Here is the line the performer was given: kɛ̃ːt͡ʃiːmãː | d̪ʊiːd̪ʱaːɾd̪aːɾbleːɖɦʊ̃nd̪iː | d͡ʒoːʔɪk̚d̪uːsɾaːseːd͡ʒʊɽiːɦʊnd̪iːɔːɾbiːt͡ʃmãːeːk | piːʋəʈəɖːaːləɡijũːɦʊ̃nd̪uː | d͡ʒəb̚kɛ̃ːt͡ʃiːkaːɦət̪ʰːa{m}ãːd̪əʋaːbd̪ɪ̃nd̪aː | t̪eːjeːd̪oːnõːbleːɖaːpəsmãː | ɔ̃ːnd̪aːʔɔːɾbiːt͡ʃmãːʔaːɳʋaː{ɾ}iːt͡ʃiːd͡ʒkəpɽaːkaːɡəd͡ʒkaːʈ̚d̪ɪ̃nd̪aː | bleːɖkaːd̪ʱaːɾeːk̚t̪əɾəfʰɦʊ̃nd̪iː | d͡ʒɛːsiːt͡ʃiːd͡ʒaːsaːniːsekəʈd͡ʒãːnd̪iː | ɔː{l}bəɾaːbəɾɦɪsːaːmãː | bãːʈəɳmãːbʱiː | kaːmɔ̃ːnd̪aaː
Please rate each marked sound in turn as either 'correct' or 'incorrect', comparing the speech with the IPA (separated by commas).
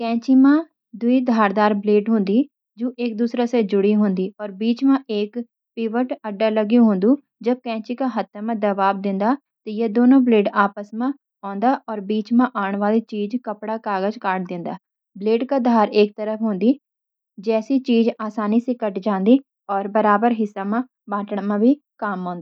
correct, incorrect, incorrect